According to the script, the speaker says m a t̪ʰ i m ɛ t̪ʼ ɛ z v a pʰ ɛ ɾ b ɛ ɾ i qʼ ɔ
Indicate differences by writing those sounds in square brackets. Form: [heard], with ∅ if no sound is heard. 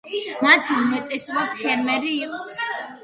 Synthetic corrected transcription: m a t̪ʰ i m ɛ t̪ʼ ɛ [s] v a pʰ ɛ ɾ [m] ɛ ɾ [iː] qʼ ɔ